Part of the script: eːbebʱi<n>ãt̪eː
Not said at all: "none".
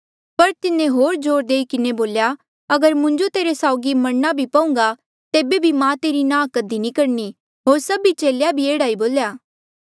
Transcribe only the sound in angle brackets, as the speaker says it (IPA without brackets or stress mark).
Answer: m